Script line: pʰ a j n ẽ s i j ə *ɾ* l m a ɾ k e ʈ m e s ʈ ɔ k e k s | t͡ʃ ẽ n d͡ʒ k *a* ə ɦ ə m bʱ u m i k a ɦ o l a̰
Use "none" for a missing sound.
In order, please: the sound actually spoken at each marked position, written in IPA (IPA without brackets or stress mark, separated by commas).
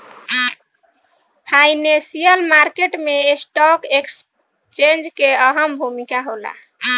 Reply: none, e